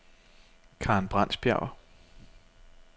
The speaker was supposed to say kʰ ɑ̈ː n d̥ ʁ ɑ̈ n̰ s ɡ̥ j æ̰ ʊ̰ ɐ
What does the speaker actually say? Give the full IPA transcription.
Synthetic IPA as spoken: kʰ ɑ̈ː n b̥ ʁ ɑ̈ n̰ s b̥ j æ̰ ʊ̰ ɐ